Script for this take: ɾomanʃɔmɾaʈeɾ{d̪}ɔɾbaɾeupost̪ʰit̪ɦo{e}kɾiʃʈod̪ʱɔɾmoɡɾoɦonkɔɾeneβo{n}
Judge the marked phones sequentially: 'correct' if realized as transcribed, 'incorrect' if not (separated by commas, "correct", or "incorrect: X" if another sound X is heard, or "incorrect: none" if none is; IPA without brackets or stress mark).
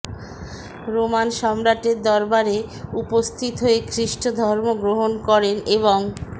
correct, correct, incorrect: ŋ